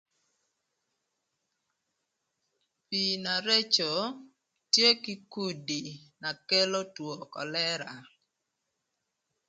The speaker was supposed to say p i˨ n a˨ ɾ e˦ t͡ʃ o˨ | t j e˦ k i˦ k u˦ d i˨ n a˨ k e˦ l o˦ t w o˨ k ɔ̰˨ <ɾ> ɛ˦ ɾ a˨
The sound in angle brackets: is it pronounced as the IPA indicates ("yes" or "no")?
no